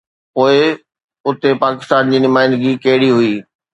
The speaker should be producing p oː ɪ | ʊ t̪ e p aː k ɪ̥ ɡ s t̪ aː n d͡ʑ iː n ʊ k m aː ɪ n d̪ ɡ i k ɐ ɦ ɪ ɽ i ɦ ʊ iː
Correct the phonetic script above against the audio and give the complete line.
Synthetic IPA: p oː ɪ | ʊ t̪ e p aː k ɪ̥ s t̪ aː n d͡ʑ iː n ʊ m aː ɪ n d̪ ɡ i k ɐ ɦ ɪ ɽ i ɦ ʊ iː